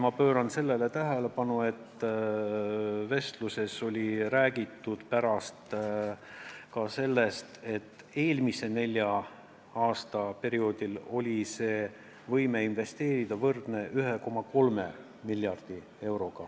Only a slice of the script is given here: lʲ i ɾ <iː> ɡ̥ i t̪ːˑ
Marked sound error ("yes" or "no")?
yes